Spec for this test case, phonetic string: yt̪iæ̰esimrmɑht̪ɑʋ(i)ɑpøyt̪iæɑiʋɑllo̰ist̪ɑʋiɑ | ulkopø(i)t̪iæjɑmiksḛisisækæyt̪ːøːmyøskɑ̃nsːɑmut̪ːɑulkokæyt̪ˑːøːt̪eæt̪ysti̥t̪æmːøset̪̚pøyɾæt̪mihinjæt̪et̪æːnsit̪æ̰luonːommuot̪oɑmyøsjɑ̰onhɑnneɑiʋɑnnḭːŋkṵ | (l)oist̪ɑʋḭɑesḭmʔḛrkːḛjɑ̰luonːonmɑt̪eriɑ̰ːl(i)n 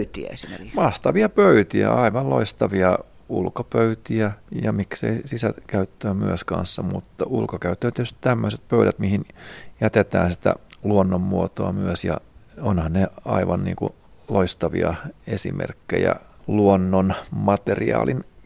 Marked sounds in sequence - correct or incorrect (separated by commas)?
correct, incorrect, correct, correct